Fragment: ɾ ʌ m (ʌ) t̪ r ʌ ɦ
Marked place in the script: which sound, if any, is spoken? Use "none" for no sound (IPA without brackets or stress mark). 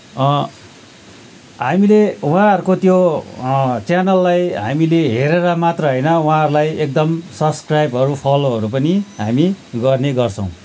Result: a